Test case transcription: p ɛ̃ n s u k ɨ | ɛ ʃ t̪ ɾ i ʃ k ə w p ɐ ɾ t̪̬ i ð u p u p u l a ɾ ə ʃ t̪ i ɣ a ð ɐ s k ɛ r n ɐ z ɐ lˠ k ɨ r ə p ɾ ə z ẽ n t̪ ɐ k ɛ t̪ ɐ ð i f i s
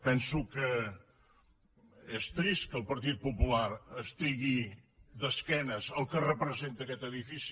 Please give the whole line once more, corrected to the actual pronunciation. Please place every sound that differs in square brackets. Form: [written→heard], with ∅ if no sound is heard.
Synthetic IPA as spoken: p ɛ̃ n s u k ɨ | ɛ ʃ t̪ ɾ i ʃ k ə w p ɐ ɾ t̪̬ i ð u p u p u l a ɾ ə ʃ t̪ i ɣ [a→i] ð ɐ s k ɛ [r→∅] n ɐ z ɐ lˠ k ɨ r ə p ɾ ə z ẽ n t̪ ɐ k ɛ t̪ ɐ ð i f i s